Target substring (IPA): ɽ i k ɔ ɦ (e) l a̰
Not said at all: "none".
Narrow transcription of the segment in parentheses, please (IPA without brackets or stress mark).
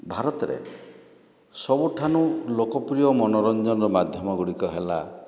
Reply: e